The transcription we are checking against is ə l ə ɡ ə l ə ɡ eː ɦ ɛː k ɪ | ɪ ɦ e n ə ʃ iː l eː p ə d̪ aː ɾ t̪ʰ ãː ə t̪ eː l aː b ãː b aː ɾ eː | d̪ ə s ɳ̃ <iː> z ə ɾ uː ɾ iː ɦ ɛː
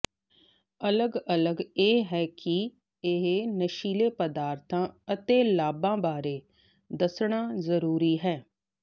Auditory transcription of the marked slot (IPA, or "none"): aː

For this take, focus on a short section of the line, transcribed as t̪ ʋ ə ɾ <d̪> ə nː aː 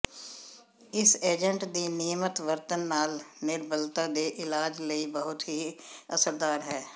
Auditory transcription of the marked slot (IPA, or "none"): t̪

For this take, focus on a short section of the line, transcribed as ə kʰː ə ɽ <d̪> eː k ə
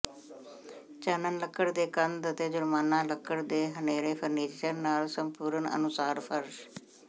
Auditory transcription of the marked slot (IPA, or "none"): d̪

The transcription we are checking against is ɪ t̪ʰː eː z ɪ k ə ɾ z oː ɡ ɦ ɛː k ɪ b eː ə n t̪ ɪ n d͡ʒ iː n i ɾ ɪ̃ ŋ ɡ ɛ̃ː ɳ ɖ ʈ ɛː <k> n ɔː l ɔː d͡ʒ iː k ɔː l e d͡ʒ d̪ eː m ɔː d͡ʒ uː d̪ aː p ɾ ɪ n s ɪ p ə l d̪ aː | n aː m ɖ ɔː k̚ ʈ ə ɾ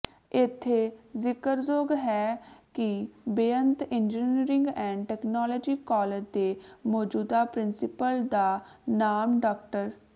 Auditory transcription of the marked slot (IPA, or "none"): k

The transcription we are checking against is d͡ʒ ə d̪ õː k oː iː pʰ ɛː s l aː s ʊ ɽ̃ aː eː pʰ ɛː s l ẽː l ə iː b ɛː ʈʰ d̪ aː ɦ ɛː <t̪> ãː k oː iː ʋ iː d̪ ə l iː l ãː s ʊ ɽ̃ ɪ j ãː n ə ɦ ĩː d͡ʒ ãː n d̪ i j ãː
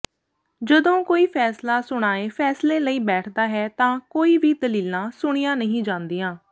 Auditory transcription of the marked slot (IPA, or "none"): t̪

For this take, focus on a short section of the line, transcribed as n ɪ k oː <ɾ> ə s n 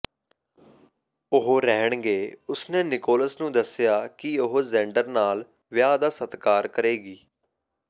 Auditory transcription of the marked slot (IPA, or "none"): l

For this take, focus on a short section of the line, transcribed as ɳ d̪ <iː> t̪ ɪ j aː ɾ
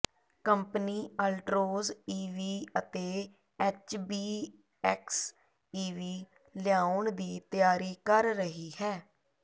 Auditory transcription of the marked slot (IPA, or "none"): iː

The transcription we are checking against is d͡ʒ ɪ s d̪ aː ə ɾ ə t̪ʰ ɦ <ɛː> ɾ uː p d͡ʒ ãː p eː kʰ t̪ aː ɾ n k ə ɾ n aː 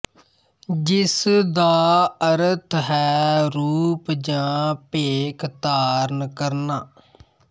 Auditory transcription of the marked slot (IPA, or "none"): ɛː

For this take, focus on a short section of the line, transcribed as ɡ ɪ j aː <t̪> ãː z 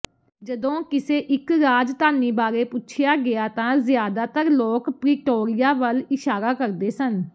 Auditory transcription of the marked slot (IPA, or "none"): t̪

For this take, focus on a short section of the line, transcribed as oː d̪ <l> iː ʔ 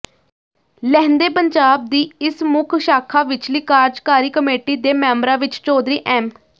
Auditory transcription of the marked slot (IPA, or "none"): ɾ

